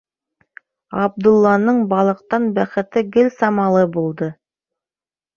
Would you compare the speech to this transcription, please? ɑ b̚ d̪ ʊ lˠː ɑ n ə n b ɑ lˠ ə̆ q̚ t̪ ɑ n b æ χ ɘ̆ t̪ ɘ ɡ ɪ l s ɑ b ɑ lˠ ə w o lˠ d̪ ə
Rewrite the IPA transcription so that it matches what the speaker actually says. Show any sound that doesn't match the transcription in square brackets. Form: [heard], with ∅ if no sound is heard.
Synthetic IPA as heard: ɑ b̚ d̪ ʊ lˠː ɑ n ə [ɴ] b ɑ lˠ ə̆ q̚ t̪ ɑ n b æ χ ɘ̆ t̪ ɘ ɡ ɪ l s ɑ [m] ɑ lˠ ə [b] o lˠ d̪ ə

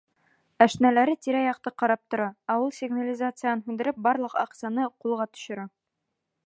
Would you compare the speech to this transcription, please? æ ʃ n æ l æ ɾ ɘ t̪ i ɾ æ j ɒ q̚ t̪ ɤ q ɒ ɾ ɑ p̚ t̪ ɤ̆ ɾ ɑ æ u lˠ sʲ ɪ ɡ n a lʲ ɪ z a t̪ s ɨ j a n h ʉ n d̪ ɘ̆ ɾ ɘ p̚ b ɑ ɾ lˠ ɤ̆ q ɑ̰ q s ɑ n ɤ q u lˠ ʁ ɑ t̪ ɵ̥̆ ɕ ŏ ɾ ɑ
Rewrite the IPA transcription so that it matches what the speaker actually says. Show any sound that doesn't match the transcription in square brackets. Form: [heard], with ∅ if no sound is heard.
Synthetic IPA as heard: æ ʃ n æ l æ ɾ ɘ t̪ i ɾ æ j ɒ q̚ t̪ ɤ q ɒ ɾ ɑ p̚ t̪ [ŏ] ɾ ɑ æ u lˠ sʲ ɪ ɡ n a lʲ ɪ z a t̪ s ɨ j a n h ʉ n d̪ ɘ̆ ɾ ɘ p̚ b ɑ ɾ lˠ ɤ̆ q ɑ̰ q s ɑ n ɤ q u lˠ ʁ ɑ t̪ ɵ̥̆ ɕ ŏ ɾ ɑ

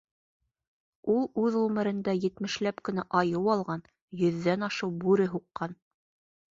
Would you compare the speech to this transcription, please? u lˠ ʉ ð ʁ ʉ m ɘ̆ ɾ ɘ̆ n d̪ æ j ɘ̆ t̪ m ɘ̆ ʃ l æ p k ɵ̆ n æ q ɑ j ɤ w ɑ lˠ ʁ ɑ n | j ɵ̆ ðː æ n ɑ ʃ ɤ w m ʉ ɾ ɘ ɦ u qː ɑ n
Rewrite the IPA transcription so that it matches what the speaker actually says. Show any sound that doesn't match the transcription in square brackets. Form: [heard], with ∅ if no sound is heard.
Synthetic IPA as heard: u lˠ ʉ ð ʁ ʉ m ɘ̆ ɾ ɘ̆ n d̪ æ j ɘ̆ t̪ m ɘ̆ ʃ l æ p k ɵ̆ n æ [ʔ] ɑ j ɤ w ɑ lˠ ʁ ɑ n | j ɵ̆ ðː æ n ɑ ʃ ɤ w [b] ʉ ɾ ɘ ɦ u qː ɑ n

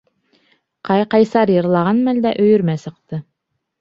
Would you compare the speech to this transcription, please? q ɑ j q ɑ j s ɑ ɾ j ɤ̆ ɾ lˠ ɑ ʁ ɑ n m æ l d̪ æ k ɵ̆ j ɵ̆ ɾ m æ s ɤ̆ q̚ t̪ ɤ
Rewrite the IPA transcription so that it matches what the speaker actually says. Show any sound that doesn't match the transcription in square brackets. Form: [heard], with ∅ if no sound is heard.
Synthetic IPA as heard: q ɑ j q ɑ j s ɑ ɾ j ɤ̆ ɾ lˠ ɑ ʁ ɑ n m æ l d̪ æ [ʔ] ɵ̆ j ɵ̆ ɾ m æ s ɤ̆ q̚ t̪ ɤ

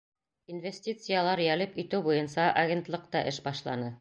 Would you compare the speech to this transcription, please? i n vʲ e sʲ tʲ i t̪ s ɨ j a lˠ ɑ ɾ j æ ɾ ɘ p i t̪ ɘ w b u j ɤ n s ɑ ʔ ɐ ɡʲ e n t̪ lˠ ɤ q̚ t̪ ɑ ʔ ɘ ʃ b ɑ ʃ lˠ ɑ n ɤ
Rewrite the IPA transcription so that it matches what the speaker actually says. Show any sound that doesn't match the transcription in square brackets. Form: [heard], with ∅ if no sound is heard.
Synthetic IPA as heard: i n vʲ e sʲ tʲ i t̪ s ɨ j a lˠ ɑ ɾ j æ [l] ɘ p i t̪ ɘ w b u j ɤ n s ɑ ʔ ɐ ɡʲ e n t̪ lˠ ɤ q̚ t̪ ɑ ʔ ɘ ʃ b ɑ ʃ lˠ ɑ n ɤ

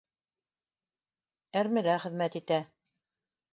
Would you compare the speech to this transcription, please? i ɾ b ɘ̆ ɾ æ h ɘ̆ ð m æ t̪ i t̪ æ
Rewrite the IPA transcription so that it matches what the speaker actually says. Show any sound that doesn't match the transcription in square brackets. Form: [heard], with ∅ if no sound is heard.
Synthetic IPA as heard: [æ] ɾ [m] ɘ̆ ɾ æ [χ] ɘ̆ ð m æ t̪ i t̪ æ

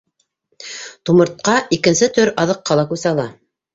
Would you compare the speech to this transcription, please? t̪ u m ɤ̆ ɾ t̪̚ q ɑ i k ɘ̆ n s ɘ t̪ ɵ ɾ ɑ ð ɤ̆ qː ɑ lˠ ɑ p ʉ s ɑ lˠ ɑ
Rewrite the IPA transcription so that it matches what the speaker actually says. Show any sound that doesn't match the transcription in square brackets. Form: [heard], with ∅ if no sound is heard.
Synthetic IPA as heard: t̪ u m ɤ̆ ɾ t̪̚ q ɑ i k ɘ̆ n s ɘ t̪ ɵ ɾ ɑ ð ɤ̆ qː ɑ lˠ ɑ [k] ʉ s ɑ lˠ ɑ

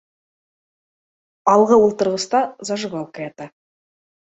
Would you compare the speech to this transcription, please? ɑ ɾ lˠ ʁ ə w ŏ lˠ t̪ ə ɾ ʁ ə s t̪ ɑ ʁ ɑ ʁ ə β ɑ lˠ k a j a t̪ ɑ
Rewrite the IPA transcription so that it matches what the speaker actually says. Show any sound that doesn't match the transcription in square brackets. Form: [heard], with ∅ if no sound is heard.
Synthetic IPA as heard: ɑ [∅] lˠ ʁ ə w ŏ lˠ t̪ ə ɾ ʁ ə s t̪ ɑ [z] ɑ [ʒ] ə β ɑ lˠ k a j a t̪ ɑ

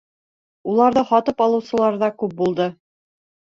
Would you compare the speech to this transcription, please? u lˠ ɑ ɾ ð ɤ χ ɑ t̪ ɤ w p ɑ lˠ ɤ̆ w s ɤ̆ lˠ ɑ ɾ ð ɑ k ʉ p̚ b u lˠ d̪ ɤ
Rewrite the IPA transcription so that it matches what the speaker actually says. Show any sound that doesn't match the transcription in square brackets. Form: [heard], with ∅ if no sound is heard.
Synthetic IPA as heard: u lˠ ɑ ɾ ð ɤ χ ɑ t̪ ɤ [∅] p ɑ lˠ ɤ̆ w s ɤ̆ lˠ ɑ ɾ ð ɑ k ʉ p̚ b u lˠ d̪ ɤ

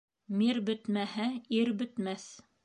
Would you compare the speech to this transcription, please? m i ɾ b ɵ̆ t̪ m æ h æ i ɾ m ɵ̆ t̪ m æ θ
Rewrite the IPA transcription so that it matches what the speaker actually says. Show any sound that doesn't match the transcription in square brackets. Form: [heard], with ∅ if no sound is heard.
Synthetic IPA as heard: m i ɾ b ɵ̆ t̪ m æ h æ i ɾ [b] ɵ̆ t̪ m æ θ

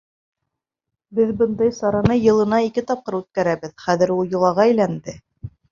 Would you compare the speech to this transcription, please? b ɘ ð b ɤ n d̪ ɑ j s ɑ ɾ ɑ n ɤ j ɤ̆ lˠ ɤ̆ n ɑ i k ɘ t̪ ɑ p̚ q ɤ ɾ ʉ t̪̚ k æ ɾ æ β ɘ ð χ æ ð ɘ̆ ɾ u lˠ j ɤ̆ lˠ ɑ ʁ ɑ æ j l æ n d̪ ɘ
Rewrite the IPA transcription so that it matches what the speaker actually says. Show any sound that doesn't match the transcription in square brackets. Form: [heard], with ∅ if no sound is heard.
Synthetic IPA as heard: b ɘ ð b ɤ n d̪ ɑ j s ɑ ɾ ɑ n ɤ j ɤ̆ lˠ ɤ̆ n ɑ i k ɘ t̪ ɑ p̚ q ɤ ɾ ʉ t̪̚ k æ ɾ æ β ɘ ð χ æ ð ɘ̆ ɾ u lˠ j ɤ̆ lˠ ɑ ʁ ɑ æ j l æ n d̪ ɘ

